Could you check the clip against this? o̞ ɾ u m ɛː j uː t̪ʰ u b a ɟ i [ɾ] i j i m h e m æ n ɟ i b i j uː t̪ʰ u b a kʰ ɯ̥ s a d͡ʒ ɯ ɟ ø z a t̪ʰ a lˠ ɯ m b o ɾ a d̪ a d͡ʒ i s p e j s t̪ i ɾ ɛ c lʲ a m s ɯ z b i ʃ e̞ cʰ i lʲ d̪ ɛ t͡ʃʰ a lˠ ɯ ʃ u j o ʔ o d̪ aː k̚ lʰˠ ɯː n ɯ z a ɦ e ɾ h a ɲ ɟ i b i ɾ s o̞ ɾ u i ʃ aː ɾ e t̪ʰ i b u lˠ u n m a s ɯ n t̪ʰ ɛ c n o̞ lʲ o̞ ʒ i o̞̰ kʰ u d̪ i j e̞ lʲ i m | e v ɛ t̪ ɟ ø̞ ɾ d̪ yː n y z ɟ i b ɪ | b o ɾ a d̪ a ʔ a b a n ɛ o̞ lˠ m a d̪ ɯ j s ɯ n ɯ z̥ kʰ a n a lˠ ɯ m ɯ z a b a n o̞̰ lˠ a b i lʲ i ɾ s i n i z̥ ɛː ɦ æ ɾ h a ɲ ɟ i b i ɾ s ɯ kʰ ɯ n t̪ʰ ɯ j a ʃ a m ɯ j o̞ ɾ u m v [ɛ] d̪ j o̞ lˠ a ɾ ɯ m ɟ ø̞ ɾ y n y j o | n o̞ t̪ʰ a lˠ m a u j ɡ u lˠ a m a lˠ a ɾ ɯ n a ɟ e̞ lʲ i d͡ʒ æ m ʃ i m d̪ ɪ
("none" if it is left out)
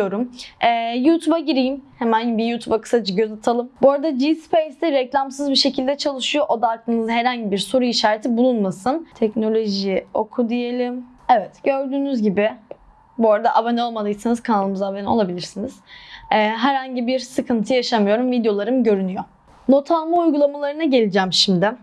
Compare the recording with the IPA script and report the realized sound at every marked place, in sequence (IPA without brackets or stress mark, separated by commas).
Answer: ɾ, i